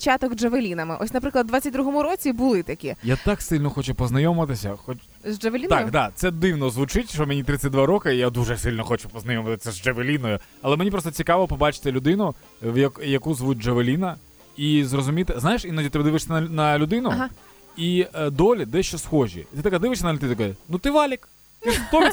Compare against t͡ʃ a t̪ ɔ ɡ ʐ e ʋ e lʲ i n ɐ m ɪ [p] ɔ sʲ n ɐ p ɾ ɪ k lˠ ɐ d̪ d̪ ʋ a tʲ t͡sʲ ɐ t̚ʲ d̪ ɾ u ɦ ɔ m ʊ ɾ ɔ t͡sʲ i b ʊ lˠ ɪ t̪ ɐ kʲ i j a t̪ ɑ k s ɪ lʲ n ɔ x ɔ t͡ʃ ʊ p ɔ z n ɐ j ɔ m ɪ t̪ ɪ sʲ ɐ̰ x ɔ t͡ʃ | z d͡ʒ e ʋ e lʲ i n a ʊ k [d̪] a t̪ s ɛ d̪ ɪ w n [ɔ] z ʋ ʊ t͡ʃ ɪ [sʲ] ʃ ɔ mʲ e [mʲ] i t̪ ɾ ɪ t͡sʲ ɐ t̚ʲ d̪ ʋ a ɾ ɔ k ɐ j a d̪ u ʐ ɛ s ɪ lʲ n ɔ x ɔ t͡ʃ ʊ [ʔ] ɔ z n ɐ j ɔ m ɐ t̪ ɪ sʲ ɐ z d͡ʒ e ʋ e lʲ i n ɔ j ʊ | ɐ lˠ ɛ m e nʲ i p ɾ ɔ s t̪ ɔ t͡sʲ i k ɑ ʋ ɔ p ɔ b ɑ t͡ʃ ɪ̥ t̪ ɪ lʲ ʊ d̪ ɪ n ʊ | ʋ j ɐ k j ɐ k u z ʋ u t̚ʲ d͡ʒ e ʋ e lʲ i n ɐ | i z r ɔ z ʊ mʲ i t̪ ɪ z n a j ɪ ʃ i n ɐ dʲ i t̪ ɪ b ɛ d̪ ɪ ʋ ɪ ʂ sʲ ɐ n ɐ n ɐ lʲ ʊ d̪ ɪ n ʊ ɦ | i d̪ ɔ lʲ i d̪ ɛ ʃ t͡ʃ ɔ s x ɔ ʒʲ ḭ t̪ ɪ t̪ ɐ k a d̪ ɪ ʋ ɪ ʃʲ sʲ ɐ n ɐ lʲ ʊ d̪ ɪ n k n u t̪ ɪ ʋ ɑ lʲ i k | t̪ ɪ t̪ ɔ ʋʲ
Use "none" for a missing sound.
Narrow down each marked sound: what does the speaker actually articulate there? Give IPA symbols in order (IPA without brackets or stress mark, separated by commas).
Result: ʔ, d̪, ɔ, tʲ, nʲ, p